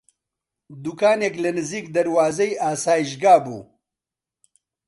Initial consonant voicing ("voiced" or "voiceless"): voiced